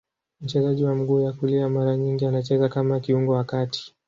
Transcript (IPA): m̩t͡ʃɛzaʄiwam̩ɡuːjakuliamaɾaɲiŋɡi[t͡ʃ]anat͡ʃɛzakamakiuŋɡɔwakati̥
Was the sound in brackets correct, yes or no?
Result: no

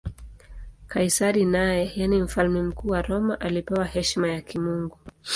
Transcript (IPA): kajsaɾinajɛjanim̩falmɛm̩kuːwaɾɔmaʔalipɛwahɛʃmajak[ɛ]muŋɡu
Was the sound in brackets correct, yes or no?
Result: no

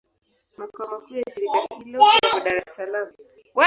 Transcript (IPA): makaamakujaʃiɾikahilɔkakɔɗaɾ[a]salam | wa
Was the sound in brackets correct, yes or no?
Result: no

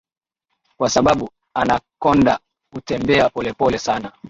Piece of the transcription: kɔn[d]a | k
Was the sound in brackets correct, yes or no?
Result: yes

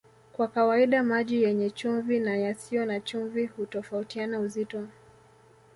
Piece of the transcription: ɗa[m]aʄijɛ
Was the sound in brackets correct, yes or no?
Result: yes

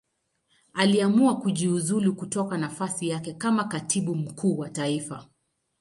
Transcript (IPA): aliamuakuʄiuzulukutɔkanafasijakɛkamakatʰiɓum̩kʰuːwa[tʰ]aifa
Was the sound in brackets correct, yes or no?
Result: no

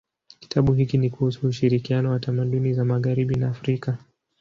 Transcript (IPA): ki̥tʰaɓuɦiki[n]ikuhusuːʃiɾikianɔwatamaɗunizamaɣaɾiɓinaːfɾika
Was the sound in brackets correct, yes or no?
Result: yes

